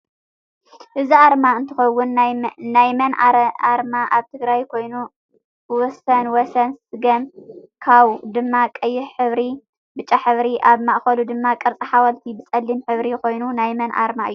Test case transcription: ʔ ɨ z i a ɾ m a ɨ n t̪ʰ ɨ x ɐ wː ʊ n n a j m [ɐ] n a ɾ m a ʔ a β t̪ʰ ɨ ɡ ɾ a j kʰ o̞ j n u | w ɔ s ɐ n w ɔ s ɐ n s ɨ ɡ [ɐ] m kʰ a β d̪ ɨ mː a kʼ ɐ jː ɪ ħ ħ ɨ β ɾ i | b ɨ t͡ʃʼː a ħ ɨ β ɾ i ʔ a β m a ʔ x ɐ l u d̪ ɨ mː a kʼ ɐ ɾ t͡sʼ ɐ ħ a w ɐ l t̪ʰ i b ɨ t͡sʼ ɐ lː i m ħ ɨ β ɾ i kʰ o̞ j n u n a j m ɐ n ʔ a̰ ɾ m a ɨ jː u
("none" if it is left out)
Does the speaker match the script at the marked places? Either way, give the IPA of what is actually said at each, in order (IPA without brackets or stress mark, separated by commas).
ɐ, ɐ